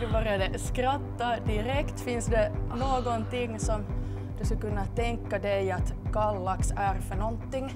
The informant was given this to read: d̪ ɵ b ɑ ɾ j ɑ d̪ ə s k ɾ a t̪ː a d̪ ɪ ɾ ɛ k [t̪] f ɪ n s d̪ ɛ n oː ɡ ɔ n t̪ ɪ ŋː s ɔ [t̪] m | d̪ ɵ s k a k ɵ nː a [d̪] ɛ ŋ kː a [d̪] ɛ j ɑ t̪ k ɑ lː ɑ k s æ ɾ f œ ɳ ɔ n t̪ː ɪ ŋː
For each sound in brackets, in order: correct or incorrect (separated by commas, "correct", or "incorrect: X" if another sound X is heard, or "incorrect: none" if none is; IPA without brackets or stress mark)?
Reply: correct, incorrect: none, incorrect: t̪, correct